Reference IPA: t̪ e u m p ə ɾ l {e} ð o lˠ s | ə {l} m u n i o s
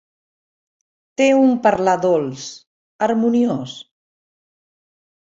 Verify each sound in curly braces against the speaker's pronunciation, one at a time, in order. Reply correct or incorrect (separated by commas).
incorrect, incorrect